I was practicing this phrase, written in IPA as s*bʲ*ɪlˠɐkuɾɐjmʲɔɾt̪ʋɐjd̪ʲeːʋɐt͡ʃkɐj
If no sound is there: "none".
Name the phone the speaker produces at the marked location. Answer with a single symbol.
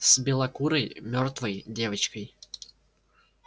bʲ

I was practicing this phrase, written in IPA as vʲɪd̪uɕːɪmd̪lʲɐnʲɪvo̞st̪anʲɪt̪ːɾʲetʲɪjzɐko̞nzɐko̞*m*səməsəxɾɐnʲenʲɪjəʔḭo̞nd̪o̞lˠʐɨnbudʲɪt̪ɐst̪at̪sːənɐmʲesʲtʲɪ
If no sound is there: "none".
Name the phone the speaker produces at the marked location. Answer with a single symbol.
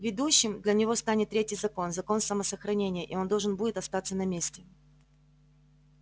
n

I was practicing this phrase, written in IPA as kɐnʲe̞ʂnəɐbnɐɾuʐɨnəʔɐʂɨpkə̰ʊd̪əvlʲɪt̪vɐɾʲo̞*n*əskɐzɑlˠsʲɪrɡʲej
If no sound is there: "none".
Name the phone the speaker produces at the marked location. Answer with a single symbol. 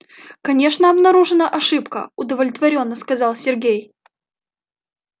nː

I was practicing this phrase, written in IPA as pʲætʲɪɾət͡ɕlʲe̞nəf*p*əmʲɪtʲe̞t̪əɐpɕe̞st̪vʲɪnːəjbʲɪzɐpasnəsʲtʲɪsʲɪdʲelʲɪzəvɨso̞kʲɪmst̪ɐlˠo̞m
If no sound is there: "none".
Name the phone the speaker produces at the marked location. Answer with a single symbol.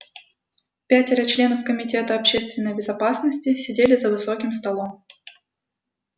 k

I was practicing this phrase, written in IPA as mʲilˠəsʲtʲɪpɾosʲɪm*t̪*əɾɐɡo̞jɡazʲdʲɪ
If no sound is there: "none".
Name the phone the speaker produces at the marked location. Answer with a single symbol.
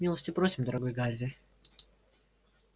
d̪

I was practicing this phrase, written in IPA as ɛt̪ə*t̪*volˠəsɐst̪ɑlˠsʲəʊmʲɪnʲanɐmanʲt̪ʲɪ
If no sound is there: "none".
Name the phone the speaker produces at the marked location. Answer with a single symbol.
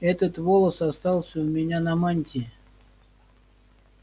t̪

